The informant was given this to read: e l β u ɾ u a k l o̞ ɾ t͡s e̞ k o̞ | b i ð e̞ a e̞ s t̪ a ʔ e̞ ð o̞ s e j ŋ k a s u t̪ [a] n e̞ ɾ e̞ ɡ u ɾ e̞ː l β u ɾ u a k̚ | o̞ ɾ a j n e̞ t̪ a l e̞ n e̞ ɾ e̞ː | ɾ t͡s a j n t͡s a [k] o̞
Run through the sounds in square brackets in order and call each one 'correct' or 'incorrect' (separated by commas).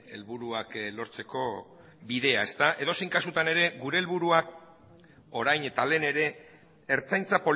correct, incorrect